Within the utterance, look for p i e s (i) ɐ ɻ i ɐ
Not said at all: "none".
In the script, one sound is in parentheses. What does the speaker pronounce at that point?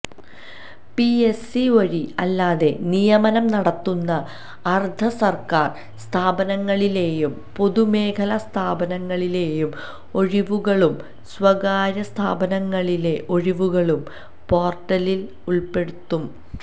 i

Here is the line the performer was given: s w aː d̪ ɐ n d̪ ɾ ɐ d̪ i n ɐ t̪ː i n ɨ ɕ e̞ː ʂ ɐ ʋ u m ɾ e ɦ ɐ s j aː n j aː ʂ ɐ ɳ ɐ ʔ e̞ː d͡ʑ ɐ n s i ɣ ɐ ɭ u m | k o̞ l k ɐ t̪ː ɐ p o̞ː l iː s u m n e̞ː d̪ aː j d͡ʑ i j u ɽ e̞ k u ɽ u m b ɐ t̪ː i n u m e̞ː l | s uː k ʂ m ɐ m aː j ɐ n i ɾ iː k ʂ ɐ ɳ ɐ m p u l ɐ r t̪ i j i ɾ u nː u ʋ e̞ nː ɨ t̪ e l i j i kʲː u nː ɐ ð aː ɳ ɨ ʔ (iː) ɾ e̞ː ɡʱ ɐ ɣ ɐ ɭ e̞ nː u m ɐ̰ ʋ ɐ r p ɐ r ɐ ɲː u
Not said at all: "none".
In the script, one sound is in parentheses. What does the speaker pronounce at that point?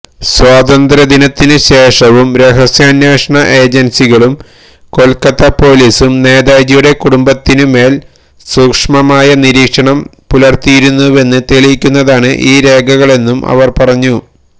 iː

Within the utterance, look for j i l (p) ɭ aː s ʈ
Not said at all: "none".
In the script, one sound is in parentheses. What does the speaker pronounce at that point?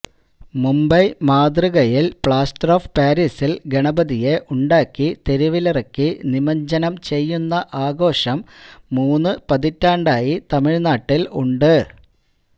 p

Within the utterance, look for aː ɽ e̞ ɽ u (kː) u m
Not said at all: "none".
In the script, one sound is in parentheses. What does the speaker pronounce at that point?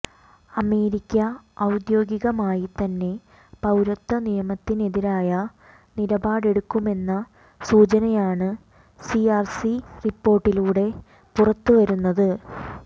kː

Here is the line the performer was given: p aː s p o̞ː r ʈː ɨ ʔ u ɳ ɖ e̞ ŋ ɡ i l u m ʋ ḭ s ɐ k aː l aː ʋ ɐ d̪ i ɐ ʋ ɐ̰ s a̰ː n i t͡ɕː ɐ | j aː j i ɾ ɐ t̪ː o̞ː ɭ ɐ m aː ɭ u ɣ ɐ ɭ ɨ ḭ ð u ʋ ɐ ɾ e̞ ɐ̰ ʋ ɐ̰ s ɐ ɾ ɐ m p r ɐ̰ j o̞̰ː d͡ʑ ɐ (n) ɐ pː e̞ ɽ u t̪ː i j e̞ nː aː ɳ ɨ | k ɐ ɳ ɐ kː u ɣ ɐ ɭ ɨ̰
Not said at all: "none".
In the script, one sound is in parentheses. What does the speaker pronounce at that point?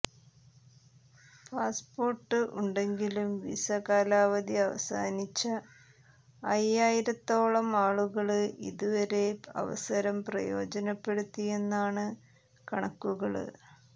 n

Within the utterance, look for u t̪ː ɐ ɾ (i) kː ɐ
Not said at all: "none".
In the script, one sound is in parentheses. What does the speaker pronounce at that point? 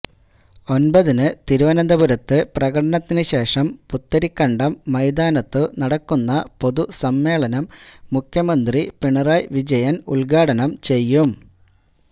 i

